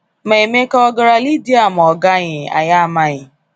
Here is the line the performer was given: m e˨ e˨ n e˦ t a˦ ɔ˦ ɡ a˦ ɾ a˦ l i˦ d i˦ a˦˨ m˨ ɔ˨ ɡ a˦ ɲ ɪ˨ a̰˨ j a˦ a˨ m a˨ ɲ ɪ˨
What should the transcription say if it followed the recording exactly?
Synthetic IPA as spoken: m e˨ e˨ m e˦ k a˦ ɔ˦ ɡ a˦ ɾ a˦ l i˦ d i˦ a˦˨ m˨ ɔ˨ ɡ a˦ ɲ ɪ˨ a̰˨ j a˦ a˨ m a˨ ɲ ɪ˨